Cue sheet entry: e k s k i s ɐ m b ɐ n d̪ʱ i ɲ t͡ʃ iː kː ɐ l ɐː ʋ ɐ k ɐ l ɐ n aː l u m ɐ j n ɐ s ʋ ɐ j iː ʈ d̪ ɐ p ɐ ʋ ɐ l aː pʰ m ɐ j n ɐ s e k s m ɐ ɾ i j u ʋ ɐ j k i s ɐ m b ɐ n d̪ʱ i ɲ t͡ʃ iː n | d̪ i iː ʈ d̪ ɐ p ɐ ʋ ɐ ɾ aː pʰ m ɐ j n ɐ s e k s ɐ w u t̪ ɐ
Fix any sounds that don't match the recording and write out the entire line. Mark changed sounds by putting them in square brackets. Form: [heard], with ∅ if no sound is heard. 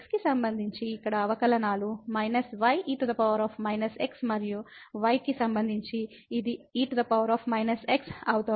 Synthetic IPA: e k s k i s ɐ m b ɐ n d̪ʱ i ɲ t͡ʃ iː kː ɐ [ɽ] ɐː ʋ ɐ k ɐ l ɐ n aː l u m ɐ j n ɐ s ʋ ɐ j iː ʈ d̪ ɐ p ɐ ʋ ɐ [ɾ] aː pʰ m ɐ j n ɐ s e k s m ɐ ɾ i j u ʋ ɐ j k i s ɐ m b ɐ n d̪ʱ i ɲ t͡ʃ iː [∅] | d̪ i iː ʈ d̪ ɐ p ɐ ʋ ɐ ɾ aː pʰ m ɐ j n ɐ s e k s ɐ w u t̪ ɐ